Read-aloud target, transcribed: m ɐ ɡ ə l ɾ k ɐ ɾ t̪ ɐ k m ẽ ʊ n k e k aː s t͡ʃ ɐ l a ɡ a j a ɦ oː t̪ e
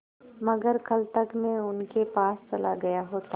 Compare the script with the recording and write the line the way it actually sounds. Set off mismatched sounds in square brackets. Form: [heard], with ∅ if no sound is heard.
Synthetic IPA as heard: m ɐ ɡ ə [∅] ɾ k ɐ [l] t̪ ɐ k m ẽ ʊ n k e [p] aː s t͡ʃ ɐ l a ɡ [ɐ] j a ɦ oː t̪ [a]